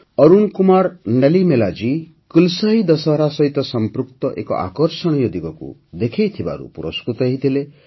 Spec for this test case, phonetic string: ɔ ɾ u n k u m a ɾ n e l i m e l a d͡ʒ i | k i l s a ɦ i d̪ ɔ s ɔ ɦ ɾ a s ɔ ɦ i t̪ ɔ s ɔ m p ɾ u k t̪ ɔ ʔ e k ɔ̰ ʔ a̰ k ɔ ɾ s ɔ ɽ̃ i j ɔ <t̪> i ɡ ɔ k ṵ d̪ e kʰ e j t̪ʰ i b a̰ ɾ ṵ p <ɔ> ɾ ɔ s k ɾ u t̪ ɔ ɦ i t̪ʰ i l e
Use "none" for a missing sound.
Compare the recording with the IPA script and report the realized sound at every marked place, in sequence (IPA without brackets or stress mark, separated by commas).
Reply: d̪, u